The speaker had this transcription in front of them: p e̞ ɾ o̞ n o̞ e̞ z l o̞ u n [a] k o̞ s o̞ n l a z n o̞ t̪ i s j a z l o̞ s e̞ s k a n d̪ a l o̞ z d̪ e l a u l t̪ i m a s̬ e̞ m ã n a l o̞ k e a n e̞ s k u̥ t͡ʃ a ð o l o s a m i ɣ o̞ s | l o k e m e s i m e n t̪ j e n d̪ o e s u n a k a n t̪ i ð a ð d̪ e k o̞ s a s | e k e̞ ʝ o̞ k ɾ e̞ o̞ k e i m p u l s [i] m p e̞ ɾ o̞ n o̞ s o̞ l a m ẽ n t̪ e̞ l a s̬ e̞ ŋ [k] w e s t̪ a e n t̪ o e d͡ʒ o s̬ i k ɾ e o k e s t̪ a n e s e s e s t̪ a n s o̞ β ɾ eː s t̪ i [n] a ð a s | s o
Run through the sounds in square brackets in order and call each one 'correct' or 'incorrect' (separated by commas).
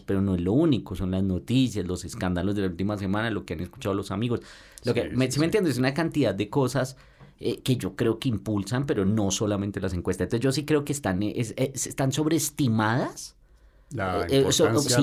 incorrect, incorrect, correct, incorrect